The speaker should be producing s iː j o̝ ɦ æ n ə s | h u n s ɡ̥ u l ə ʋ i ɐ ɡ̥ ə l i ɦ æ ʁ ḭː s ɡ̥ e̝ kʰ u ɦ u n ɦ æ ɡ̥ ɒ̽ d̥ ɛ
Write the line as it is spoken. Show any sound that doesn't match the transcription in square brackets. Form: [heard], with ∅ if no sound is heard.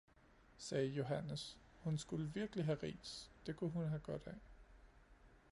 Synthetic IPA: s [ɛː] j o̝ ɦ æ n ə s | h u n s ɡ̥ u l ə ʋ i ɐ ɡ̥ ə l i ɦ æ ʁ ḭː s [d̥] e̝ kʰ u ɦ u n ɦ æ ɡ̥ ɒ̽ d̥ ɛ